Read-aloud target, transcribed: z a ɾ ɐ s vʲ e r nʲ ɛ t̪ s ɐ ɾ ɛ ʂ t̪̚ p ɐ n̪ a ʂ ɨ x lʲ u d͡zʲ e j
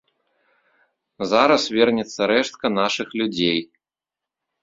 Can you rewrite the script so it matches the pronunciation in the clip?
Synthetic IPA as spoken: z a ɾ ɐ s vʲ ɛ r nʲ ɛ t̪ sː ɐ ɾ ɛ ʂ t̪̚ k ɐ n̪ a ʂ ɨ x lʲ u d͡zʲ e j